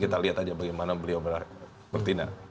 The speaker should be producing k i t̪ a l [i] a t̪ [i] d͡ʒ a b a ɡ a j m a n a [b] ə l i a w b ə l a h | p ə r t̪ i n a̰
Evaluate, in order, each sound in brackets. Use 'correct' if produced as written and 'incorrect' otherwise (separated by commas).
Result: correct, incorrect, correct